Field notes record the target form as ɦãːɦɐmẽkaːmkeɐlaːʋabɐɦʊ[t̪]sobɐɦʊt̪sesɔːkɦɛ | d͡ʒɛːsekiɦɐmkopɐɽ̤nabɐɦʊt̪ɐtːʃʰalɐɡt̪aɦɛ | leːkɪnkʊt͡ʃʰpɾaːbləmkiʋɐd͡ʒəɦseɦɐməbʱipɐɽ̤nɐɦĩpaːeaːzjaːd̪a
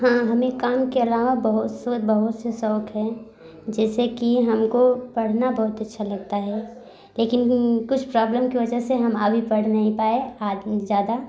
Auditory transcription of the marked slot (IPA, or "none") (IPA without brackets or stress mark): t̪